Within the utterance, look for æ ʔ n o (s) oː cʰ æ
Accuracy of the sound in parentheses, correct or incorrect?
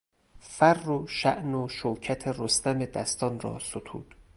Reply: incorrect